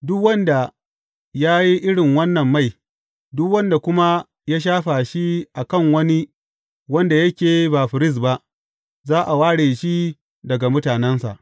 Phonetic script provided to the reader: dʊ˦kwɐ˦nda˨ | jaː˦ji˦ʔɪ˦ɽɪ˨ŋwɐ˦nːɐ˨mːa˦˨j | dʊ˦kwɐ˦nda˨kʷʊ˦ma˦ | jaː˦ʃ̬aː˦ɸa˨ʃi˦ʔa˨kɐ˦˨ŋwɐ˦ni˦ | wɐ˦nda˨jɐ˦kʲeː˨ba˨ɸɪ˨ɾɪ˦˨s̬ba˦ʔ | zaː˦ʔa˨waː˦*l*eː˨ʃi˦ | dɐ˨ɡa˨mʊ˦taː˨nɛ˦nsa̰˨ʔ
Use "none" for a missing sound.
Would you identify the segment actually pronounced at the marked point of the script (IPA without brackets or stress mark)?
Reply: ɽ